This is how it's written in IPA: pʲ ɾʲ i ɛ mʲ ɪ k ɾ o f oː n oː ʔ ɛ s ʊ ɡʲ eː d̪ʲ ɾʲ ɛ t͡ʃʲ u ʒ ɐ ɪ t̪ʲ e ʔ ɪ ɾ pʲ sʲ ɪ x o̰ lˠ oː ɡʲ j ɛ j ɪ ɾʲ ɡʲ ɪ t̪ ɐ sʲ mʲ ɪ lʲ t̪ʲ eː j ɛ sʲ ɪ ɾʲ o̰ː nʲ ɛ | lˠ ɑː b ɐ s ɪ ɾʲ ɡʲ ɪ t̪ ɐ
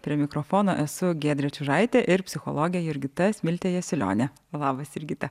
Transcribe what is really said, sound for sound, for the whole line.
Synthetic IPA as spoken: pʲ ɾʲ i ɛ mʲ ɪ k ɾ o f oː n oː ʔ ɛ s ʊ ɡʲ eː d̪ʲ ɾʲ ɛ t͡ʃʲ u ʒ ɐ ɪ t̪ʲ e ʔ ɪ ɾ pʲ sʲ ɪ x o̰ lˠ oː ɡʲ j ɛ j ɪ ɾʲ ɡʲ ɪ t̪ ɐ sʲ mʲ ɪ lʲ t̪ʲ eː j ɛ sʲ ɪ lʲ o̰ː nʲ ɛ | lˠ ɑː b ɐ s ɪ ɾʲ ɡʲ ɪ t̪ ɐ